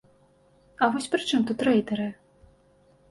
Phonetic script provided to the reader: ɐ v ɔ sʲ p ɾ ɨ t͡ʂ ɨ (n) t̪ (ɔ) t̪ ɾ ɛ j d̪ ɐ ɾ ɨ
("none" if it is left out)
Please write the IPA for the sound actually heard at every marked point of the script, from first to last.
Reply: m, u

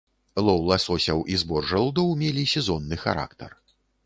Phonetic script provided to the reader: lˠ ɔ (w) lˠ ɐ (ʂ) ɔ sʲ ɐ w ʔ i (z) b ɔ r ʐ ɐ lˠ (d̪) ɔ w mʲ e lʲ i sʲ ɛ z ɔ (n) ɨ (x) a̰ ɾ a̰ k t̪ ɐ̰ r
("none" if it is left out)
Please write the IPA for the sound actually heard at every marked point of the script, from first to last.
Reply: w, s, z, d̪, nː, x

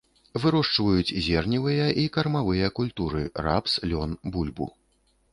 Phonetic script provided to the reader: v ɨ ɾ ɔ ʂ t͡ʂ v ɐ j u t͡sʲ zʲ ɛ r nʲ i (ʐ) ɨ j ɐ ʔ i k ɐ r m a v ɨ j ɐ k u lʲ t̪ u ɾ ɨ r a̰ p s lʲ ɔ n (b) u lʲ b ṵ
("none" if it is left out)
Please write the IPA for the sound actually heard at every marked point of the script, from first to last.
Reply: v, b

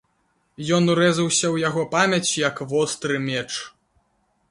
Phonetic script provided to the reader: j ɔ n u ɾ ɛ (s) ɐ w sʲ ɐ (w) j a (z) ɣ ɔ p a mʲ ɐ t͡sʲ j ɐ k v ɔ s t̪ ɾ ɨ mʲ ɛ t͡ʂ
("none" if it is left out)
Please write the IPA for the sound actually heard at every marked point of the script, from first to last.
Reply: z, w, none

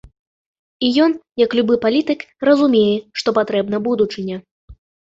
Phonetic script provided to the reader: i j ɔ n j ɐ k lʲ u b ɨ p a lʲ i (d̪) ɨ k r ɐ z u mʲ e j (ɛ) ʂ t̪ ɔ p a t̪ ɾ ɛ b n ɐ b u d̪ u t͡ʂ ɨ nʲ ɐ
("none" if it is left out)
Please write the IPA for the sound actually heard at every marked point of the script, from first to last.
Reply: t̪, ɛ

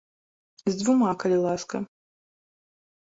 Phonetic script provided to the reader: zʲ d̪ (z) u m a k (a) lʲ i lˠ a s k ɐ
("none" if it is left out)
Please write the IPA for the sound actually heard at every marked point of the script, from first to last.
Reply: v, ɐ

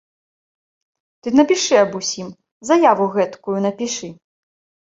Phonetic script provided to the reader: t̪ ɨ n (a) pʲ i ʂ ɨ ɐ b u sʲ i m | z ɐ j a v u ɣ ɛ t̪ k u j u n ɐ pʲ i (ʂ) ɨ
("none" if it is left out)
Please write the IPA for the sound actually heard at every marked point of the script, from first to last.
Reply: ɐ, ʂ

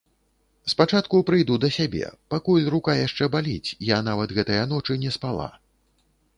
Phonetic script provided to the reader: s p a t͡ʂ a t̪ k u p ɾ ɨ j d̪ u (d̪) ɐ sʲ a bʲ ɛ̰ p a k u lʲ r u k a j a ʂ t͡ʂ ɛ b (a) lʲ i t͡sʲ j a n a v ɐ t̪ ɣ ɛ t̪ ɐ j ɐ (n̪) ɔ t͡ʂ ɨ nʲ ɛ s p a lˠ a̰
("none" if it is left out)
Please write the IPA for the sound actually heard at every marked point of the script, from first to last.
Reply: d̪, a, n̪

